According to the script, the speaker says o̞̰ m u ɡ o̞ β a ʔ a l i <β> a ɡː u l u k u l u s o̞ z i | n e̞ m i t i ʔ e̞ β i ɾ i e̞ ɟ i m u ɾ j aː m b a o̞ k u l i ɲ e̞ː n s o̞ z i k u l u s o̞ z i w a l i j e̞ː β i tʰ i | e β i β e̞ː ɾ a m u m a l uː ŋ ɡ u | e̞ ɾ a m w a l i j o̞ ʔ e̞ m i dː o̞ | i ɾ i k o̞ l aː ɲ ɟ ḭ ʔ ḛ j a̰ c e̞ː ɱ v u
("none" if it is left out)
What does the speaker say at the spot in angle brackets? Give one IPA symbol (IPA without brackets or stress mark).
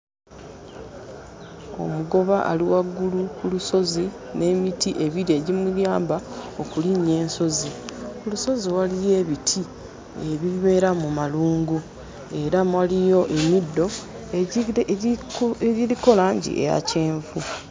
w